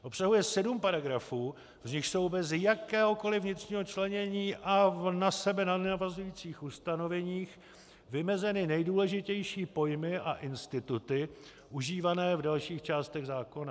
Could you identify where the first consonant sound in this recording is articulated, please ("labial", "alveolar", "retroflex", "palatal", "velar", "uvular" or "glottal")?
glottal